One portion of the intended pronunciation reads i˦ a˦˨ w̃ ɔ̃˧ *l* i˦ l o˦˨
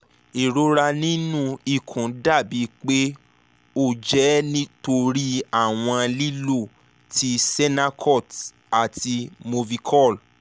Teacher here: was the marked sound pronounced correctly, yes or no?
yes